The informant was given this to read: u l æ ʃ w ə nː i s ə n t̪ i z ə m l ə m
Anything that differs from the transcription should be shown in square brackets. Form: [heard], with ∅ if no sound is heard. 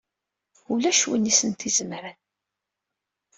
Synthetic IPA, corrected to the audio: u l æ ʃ w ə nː i s ə n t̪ i z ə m [ɾ] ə [n]